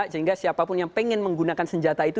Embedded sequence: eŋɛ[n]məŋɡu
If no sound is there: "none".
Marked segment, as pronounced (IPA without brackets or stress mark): n